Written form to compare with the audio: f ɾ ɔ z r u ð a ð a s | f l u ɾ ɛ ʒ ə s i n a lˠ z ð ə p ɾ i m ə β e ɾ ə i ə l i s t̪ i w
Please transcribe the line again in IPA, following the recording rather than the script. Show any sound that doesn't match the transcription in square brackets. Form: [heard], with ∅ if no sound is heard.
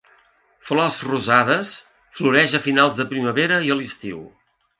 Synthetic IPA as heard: f [l] ɔ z r u [z] a ð [ə] s | f l u ɾ ɛ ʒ ə [f] i n a lˠ z ð ə p ɾ i m ə β e ɾ ə i ə l i s t̪ i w